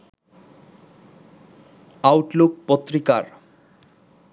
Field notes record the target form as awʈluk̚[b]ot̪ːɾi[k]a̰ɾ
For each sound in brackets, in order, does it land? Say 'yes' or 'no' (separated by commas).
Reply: no, yes